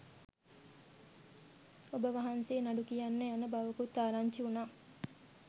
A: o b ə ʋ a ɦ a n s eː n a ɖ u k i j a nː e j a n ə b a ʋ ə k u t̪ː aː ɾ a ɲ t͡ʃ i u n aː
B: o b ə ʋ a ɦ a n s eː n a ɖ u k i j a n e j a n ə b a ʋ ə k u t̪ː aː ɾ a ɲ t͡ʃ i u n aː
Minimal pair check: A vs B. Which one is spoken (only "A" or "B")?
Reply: A